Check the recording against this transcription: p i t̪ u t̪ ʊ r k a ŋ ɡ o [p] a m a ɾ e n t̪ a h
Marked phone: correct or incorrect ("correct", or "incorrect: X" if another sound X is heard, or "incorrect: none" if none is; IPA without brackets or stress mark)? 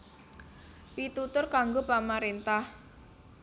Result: correct